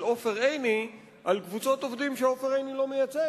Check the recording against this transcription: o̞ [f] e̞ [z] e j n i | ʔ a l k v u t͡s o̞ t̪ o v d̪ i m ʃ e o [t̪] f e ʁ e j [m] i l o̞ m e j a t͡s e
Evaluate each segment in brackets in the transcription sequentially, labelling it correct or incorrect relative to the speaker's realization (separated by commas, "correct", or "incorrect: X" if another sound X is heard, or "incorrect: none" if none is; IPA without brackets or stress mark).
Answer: correct, incorrect: ʁ, incorrect: none, incorrect: n